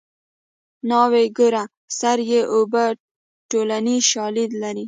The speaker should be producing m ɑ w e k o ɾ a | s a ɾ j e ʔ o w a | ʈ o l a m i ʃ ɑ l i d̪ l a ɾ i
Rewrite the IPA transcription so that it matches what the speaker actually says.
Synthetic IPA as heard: n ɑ w e ɡ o ɾ a | s a ɾ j e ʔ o b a | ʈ o l a n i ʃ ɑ l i d̪ l a ɾ i